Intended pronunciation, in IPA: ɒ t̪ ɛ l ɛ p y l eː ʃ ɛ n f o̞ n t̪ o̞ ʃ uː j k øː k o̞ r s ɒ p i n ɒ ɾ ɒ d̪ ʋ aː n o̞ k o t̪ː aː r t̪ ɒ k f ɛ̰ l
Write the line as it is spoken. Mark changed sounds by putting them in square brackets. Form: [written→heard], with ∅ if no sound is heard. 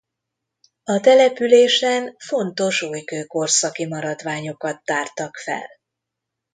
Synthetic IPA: ɒ t̪ ɛ l ɛ p y l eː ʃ ɛ n f o̞ n t̪ o̞ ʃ uː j k øː k o̞ r s ɒ [p→k] i [n→m] ɒ ɾ ɒ d̪ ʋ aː [n→ɲ] o̞ k [o→ɒ] t̪ː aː r t̪ ɒ k f ɛ̰ l